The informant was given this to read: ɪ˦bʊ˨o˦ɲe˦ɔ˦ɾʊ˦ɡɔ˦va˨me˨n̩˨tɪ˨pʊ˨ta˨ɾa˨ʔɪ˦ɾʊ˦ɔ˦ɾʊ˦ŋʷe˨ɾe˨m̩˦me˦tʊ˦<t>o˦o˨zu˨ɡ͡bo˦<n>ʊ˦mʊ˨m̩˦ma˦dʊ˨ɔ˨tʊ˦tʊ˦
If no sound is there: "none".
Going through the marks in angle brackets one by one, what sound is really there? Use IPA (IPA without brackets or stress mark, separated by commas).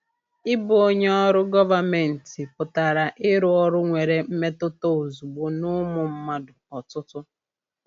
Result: t, n